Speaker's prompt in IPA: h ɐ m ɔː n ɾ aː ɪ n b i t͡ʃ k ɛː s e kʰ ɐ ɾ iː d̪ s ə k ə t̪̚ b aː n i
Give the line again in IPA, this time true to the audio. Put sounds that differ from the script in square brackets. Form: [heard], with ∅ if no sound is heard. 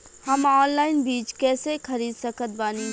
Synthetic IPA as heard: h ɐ m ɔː n [l] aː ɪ n b [iː] t͡ʃ k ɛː s e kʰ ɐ ɾ iː d̪ s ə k ə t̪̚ b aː n i